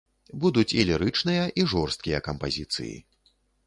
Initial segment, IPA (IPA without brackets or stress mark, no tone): b